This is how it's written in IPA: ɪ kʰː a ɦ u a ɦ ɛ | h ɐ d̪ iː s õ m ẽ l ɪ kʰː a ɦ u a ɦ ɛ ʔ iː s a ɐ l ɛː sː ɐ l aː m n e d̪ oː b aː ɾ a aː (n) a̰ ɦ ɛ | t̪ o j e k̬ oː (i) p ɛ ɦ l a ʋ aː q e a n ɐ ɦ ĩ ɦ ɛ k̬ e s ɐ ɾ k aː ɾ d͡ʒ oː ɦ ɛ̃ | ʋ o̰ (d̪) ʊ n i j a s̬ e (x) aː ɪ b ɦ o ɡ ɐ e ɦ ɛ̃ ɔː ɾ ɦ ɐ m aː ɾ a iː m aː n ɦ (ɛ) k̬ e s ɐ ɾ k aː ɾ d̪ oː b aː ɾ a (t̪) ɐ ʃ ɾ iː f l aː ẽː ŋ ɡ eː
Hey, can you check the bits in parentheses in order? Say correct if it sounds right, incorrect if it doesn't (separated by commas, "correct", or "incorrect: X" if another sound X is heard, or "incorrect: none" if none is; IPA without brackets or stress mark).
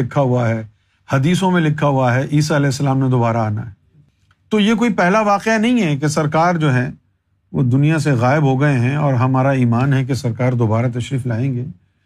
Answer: correct, correct, correct, incorrect: ɣ, correct, correct